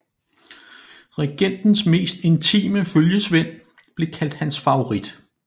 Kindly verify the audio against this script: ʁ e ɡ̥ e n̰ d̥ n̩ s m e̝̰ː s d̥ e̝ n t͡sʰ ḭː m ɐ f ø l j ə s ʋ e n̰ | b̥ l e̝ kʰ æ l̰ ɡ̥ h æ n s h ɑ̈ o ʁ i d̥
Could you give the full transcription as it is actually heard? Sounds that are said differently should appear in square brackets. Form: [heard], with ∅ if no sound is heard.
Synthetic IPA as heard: ʁ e ɡ̥ e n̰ d̥ n̩ s m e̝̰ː s d̥ e̝ n t͡sʰ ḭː m [ə] f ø l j ə s ʋ e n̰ | b̥ l e̝ kʰ æ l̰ [d̥] h æ n s [f] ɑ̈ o ʁ i d̥